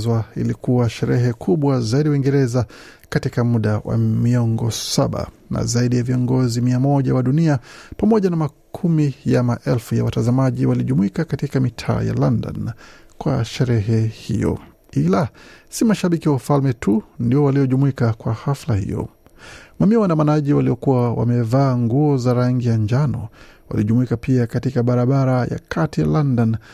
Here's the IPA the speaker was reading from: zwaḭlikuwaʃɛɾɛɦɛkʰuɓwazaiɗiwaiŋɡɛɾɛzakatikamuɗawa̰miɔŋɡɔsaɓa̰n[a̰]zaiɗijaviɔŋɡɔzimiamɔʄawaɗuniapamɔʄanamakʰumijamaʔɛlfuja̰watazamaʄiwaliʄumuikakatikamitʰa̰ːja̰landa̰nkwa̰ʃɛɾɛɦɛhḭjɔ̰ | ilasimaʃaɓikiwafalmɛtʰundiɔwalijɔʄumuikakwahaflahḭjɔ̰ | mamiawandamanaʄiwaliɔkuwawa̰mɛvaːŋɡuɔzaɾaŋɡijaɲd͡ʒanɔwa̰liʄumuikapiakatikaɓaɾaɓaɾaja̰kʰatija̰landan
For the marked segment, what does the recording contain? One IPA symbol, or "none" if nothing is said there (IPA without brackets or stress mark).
a̰